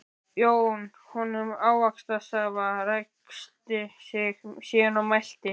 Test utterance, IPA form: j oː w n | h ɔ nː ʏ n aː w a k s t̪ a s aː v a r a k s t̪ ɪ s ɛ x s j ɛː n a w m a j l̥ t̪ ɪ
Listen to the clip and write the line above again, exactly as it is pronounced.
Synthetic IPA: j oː w n | h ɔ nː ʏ m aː w a k s t̪ a s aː v a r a k s t̪ ɪ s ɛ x s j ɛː n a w m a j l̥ t̪ ɪ